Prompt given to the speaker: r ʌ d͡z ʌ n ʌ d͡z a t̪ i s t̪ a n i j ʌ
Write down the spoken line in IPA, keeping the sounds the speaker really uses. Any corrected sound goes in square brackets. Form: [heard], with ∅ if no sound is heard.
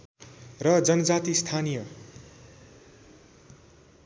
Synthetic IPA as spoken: r ʌ d͡z ʌ n ʌ d͡z a t̪ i s [t̪ʰ] a n i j ʌ